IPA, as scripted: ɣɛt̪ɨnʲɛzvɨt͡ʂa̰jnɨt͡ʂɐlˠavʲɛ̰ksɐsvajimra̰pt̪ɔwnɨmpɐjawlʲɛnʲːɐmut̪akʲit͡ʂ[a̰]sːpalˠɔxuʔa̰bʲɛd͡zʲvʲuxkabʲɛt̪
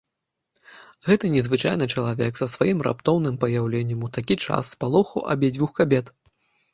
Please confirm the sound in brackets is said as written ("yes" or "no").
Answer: yes